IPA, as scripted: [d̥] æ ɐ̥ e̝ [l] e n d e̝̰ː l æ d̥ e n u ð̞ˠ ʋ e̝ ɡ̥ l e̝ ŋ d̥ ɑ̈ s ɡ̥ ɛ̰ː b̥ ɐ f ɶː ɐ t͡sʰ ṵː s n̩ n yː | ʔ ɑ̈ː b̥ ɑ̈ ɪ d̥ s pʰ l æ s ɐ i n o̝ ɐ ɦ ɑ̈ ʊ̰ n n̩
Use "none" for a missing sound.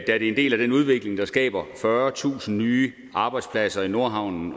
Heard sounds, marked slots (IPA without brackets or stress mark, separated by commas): d̥, none